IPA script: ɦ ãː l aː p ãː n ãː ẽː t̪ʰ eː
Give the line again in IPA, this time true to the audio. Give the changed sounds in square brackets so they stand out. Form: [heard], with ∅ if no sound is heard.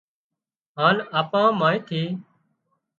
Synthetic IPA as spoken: ɦ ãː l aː p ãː [m] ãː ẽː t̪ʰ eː